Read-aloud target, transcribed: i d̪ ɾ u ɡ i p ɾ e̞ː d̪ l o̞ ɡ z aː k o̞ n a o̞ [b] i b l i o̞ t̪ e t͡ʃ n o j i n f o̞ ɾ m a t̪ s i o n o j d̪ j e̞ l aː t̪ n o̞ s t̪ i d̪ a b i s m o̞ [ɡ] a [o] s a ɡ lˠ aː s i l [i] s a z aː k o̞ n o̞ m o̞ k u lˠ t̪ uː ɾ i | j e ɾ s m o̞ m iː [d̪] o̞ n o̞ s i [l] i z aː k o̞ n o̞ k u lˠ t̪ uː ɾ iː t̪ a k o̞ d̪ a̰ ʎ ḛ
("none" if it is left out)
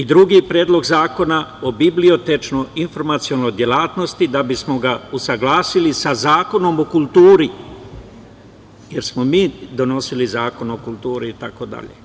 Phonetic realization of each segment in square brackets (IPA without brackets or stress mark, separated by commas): b, ɡ, u, i, d̪, l